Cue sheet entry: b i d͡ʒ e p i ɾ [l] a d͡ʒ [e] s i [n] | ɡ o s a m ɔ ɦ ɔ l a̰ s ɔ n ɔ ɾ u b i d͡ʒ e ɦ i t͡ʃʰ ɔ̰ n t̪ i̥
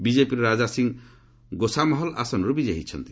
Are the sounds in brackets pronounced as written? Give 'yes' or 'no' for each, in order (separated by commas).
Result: no, no, no